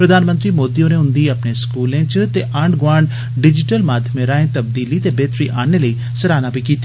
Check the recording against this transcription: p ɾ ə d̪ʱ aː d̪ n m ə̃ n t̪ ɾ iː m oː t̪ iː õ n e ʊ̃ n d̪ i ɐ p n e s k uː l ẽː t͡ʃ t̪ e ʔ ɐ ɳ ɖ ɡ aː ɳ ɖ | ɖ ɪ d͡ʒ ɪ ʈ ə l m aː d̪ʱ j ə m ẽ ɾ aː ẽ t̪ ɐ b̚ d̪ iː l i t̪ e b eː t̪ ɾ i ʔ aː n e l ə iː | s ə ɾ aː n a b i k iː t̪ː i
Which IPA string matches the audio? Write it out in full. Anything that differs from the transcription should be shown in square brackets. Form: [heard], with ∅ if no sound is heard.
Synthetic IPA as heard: p ɾ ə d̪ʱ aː [∅] n m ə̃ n t̪ ɾ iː m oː [d̪] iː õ n e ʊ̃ n d̪ i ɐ p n e s k uː l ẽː t͡ʃ t̪ e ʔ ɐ ɳ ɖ ɡ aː ɳ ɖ | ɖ ɪ d͡ʒ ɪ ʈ ə l m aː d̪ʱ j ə m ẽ ɾ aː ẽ t̪ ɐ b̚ d̪ iː l i t̪ e b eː t̪ ɾ i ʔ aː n e l ə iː | s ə ɾ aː n a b i k iː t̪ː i

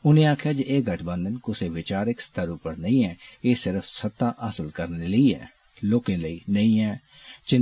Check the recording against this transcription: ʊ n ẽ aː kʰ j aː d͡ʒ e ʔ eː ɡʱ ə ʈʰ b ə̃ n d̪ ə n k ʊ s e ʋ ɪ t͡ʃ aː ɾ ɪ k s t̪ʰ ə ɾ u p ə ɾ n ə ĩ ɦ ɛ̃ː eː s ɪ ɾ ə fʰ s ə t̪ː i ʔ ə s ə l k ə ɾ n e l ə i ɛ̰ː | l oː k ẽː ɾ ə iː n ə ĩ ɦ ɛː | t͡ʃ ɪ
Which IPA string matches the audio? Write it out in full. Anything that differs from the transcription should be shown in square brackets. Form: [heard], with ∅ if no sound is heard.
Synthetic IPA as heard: ʊ n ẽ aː kʰ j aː d͡ʒ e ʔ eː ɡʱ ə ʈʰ b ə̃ n d̪ ə n k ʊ s e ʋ ɪ t͡ʃ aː ɾ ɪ k s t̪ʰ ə ɾ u p ə ɾ n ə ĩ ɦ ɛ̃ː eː s ɪ ɾ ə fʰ s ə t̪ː [a] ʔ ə s ə l k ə ɾ n e l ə i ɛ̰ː | l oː k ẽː [l] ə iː n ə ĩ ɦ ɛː | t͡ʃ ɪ

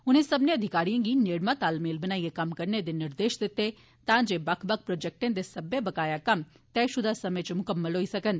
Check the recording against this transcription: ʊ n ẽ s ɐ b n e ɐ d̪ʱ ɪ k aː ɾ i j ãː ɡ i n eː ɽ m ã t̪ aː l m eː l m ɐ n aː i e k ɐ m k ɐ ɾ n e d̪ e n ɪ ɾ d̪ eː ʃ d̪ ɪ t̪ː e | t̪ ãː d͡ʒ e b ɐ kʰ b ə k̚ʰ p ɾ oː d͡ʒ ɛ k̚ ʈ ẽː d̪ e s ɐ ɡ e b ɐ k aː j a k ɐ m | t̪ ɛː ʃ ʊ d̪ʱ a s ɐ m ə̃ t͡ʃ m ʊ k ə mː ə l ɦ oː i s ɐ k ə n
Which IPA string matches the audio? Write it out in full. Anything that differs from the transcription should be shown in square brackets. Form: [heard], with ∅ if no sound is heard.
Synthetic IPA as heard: ʊ n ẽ s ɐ b n e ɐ d̪ʱ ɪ k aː ɾ i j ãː ɡ i n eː ɽ m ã t̪ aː l m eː l [b] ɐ n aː i e k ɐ m k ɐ ɾ n e d̪ e n ɪ ɾ d̪ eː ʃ d̪ ɪ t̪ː e | t̪ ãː d͡ʒ e b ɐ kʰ b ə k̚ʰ p ɾ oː d͡ʒ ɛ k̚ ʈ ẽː d̪ e s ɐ [b] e b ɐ k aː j a k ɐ m | t̪ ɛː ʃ ʊ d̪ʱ a s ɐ m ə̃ t͡ʃ m ʊ k ə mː ə l ɦ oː i s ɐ k ə n

